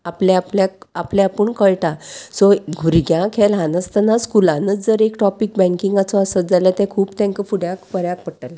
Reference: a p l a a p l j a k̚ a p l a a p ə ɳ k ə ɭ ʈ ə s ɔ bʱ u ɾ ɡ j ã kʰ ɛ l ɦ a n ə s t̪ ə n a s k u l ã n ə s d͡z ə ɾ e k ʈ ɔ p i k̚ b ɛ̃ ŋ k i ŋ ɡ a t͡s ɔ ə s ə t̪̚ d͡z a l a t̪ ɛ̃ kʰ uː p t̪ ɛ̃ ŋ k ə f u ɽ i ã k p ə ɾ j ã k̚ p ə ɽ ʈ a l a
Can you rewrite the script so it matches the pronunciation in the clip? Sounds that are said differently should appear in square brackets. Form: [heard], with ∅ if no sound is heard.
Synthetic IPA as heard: a p l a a p l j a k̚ a p l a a p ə ɳ k ə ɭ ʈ [a] s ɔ [ɡʱ] u ɾ ɡ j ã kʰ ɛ l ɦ a n ə s t̪ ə n a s k u l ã n ə [t͡s] d͡z ə ɾ e k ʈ ɔ p i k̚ b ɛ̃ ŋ k i ŋ ɡ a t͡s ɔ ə s ə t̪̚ d͡z a l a t̪ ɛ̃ kʰ uː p t̪ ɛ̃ ŋ k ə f u ɽ [j] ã k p ə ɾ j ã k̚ p ə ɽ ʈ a l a